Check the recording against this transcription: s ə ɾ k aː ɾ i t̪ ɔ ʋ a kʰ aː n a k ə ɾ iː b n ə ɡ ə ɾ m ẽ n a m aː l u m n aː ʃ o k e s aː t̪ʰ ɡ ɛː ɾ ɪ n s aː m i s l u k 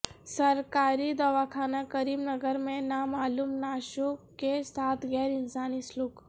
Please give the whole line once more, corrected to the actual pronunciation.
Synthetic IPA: s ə ɾ k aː ɾ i d̪ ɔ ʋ a kʰ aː n a k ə ɾ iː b n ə ɡ ə ɾ m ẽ n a m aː l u m n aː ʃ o k e s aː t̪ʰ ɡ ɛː ɾ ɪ n s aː n i s l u k